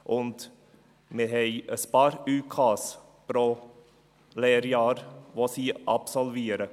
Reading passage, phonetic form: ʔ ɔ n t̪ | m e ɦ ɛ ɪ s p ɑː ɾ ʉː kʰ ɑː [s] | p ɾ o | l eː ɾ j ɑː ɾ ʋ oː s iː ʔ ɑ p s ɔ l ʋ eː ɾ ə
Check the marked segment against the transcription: correct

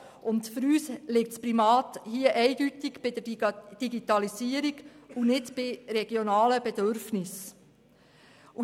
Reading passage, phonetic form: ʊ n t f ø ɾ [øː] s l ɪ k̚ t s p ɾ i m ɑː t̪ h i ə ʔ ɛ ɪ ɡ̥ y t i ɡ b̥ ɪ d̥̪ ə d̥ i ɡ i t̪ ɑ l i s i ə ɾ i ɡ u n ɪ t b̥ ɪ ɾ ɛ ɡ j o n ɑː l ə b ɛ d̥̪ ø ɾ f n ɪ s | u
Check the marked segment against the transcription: incorrect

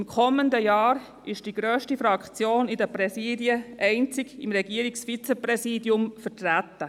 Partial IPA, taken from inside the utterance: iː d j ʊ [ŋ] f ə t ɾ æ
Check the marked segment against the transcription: incorrect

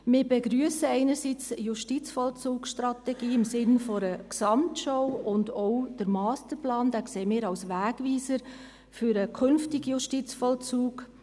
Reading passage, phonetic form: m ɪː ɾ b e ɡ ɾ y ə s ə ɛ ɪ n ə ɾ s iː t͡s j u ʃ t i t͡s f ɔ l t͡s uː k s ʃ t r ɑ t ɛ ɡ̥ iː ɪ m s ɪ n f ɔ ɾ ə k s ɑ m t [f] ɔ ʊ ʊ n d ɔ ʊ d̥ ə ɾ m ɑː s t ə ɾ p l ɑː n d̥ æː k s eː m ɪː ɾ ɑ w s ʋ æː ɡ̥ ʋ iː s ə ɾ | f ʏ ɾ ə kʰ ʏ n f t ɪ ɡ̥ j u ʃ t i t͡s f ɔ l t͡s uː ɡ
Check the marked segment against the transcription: incorrect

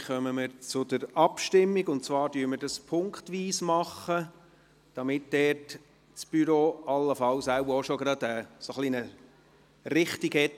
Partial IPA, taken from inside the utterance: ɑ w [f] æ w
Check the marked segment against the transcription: incorrect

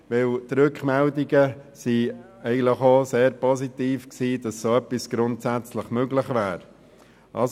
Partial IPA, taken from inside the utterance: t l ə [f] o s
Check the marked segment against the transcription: incorrect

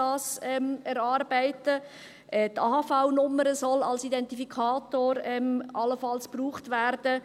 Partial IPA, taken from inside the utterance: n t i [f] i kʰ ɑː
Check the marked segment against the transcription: correct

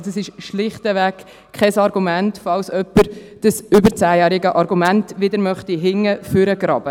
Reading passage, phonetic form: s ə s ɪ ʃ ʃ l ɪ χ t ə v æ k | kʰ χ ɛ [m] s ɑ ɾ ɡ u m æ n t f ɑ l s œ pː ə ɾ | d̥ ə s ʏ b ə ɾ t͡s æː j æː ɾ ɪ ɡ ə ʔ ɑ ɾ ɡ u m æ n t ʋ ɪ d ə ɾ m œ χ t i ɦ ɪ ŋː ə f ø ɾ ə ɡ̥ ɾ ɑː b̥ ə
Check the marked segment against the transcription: incorrect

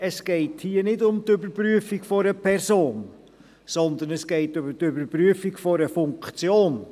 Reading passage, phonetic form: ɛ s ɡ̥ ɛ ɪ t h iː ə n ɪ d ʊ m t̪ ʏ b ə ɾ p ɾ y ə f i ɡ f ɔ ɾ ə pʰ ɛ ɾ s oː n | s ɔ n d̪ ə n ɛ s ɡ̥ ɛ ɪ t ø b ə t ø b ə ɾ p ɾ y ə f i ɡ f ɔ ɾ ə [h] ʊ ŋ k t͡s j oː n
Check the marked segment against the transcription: incorrect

